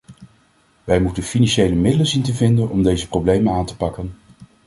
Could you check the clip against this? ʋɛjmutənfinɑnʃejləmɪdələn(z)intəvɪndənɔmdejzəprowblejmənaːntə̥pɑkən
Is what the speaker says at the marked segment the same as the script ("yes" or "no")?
yes